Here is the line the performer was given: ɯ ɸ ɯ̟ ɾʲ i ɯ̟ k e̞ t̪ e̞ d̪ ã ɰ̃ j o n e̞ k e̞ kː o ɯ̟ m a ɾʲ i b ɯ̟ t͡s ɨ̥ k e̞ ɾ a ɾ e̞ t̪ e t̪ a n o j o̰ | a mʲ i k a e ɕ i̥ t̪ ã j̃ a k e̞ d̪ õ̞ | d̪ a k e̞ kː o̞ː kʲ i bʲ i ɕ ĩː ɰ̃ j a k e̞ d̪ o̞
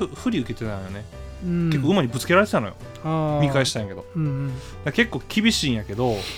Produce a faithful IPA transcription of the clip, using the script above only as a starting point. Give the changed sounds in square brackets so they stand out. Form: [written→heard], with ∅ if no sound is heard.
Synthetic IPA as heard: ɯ ɸ ɯ̟ ɾʲ i ɯ̟ k e̞ t̪ e̞ [d̪→t̪] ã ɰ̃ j o n e̞ k e̞ kː o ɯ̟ m a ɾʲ i b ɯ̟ t͡s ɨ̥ k e̞ ɾ a ɾ e̞ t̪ e t̪ a n o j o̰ | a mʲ i k a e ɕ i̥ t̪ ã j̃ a k e̞ d̪ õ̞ | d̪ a k e̞ kː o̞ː kʲ i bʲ i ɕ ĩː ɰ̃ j a k e̞ d̪ o̞